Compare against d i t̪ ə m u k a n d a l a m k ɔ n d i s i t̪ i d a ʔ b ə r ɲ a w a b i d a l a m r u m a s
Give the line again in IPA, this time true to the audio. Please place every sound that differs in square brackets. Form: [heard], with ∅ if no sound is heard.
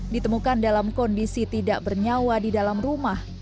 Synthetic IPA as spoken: d i t̪ ə m u k a n d a l a m k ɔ n d i s i t̪ i d a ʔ b ə r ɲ a w a [d] i d a l a m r u m a [h]

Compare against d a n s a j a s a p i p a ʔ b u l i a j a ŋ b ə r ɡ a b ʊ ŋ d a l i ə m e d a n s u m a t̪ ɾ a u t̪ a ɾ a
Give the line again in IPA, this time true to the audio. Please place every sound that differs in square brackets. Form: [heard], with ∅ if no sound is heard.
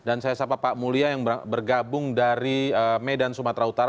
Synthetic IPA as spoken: d a n s a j a s a p [a] p a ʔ [m] u l i a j a ŋ b ə r ɡ a b ʊ ŋ d a [ɾ] i ə m e d a n s u m a t̪ ɾ a u t̪ a ɾ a

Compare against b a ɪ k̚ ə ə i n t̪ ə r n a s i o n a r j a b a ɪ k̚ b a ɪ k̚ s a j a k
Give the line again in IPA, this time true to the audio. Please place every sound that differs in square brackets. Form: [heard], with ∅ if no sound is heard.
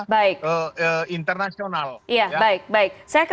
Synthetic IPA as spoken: b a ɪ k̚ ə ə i n t̪ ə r n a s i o n a [l] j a b a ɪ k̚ b a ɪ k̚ s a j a k

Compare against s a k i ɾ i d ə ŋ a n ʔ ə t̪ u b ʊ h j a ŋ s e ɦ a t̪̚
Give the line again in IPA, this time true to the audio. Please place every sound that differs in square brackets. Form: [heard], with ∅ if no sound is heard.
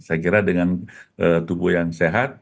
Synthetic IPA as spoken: s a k i ɾ [a] d ə ŋ a n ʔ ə t̪ u b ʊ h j a ŋ s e ɦ a t̪̚

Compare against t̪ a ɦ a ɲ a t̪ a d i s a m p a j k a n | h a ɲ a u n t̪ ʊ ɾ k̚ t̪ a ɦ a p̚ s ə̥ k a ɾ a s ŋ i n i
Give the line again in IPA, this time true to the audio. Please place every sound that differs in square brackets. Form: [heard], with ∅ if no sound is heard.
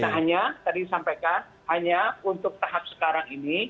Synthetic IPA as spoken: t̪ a ɦ a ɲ a t̪ a d i s a m p a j k a n | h a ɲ a u n t̪ ʊ [∅] k̚ t̪ a ɦ a p̚ s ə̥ k a ɾ a [∅] ŋ i n i

